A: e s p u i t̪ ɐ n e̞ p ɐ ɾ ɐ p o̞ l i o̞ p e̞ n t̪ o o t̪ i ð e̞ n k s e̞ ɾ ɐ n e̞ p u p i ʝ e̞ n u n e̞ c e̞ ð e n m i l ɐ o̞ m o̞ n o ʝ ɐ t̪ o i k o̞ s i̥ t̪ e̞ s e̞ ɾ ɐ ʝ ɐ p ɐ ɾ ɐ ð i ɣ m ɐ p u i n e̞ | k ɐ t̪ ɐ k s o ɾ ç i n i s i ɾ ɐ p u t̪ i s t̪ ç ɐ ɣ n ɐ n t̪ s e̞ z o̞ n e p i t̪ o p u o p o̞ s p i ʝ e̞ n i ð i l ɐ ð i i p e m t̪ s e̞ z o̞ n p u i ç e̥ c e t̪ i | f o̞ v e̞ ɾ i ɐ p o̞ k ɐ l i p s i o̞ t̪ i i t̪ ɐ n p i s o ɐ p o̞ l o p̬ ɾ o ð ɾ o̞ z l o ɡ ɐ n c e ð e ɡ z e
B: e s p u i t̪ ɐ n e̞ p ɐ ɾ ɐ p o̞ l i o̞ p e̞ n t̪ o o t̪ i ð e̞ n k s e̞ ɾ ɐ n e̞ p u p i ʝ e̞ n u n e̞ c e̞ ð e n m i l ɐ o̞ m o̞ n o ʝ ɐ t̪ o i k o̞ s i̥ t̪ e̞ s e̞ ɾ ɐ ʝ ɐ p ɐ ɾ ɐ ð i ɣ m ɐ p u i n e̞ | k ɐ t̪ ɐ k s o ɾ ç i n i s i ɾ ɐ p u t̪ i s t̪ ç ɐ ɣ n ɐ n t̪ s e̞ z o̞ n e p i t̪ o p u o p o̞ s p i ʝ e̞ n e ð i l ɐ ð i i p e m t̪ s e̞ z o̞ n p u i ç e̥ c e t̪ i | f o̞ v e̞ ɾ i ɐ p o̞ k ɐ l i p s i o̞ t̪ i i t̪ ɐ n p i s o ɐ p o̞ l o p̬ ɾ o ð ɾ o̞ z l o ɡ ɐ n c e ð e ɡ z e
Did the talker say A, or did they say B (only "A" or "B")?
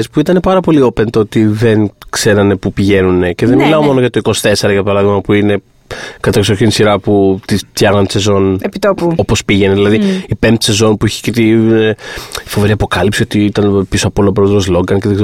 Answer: B